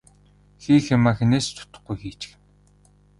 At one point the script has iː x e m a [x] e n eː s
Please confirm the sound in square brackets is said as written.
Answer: yes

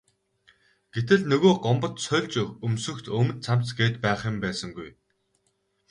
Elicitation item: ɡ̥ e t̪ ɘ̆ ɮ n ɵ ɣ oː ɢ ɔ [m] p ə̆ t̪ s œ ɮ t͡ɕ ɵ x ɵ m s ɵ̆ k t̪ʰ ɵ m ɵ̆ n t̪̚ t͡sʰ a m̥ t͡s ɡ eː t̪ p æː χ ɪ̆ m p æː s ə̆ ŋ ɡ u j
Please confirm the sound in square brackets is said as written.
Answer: yes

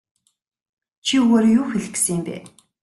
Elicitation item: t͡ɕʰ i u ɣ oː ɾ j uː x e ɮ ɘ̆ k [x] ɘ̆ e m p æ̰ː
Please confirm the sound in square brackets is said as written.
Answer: no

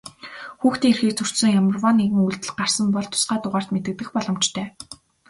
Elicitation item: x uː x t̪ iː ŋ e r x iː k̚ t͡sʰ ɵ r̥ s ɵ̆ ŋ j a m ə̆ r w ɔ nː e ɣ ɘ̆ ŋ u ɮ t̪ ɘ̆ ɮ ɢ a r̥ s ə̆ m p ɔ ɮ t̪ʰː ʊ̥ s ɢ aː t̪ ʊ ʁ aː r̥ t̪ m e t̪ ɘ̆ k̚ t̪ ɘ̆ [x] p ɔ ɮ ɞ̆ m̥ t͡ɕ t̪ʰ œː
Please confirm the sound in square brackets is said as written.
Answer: yes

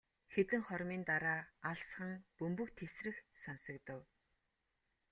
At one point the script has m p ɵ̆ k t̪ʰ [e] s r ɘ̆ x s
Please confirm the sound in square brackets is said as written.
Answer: yes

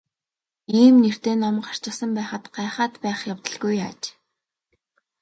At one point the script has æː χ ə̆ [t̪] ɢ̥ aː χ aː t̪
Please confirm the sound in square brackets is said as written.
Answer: yes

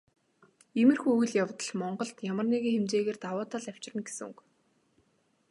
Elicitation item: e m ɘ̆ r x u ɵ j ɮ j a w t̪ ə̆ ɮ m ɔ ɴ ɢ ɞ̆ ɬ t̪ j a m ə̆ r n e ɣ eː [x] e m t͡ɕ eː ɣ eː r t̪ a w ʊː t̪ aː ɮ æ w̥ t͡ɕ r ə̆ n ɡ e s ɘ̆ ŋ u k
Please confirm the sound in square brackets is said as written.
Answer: yes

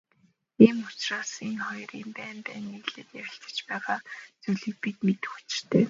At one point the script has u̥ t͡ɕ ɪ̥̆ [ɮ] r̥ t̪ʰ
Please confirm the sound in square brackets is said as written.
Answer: no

